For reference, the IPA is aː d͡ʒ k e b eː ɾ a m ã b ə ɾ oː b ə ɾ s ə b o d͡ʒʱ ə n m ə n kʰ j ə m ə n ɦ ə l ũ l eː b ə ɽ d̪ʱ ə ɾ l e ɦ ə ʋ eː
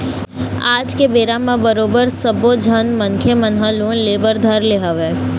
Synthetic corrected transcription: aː d͡ʒ k e b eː ɾ a m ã b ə ɾ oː b ə ɾ s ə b o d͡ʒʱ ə n m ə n kʰ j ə m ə n ɦ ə l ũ l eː b ə ɾ d̪ʱ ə ɾ l e ɦ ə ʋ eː

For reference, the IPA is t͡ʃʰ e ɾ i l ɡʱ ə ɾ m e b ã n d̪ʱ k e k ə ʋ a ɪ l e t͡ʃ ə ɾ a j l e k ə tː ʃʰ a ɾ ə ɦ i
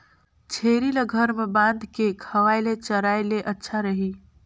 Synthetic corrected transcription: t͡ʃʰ e ɾ i l ɡʱ ə ɾ m e b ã n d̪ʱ k e kʰ ə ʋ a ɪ l e t͡ʃ ə ɾ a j l e ʔ ə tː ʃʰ a ɾ ə ɦ i

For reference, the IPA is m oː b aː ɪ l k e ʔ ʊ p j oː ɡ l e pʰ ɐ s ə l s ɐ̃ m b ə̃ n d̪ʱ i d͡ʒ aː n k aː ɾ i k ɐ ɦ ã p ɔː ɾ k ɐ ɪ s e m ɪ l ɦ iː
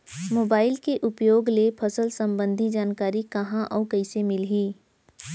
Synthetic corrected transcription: m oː b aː ɪ l k e ʔ ʊ p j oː ɡ l e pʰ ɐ s ə l s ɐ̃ m b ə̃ n d̪ʱ i d͡ʒ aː n k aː ɾ i k ɐ ɦ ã ʔ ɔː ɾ k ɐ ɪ s e m ɪ l ɦ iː

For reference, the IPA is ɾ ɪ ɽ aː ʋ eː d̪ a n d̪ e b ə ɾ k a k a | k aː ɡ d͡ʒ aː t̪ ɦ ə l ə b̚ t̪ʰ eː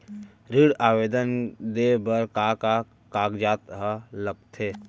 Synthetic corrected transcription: ɾ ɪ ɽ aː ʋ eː d̪ ə n d̪ e b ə ɾ k a k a | k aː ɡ d͡ʒ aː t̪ ɦ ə l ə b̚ t̪ʰ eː

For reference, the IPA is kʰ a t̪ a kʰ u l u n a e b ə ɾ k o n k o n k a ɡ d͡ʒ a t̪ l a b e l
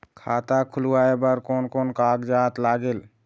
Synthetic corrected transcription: kʰ a t̪ a kʰ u l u a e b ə ɾ k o n k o n k a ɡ d͡ʒ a t̪ l a ɡ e l

